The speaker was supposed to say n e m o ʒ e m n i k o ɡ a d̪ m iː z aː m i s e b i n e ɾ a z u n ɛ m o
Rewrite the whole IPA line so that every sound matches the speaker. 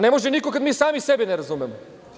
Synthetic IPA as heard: n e m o ʒ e n i k o k a d̪ m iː s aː m i s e b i n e ɾ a z u m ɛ m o